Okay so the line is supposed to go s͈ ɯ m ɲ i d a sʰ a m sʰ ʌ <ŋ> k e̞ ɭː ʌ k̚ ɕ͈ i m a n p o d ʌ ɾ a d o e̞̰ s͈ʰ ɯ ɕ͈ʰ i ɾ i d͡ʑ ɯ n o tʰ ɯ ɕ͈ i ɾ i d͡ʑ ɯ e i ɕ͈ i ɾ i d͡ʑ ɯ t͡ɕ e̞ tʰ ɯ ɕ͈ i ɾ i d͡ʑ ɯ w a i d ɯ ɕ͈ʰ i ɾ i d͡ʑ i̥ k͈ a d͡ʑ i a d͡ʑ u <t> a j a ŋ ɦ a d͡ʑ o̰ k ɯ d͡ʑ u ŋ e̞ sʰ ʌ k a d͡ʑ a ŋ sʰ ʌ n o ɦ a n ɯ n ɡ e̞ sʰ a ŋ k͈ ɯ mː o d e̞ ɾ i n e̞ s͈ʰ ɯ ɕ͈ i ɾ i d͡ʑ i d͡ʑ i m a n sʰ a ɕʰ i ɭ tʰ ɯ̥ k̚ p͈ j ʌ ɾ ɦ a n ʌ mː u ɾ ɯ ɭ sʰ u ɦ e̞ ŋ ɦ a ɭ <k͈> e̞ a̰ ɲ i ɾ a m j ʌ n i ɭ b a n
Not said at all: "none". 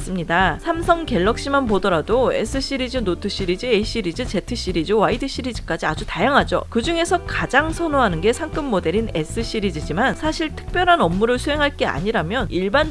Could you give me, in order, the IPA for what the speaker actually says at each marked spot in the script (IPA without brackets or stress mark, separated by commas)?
ŋ, t, k͈